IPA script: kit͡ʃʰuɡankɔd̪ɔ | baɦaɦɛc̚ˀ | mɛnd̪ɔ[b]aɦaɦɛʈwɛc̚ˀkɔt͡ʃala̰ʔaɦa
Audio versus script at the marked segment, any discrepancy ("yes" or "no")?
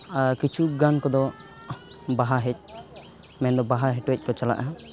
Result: no